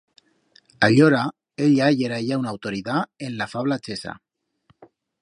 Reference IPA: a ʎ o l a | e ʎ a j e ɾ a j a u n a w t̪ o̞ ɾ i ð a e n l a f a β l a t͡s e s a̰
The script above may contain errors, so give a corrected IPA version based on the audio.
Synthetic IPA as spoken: a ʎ o ɾ a | e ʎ a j e ɾ a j a w n a w t̪ o̞ ɾ i ð a e n l a f a β l a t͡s e s a̰